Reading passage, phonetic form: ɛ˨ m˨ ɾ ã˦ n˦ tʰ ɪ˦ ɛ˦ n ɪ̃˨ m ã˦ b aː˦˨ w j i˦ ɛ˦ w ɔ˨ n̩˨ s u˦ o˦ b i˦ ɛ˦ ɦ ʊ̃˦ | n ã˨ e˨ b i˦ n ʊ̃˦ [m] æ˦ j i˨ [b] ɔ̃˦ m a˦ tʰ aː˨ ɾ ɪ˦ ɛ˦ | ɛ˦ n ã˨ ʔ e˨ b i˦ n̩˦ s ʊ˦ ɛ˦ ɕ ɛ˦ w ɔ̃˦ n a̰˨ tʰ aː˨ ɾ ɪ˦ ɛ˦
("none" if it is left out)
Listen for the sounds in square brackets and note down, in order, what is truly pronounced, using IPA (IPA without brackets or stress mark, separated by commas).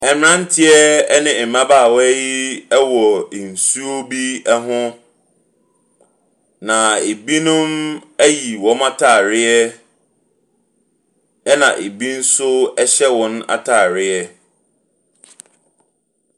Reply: m, w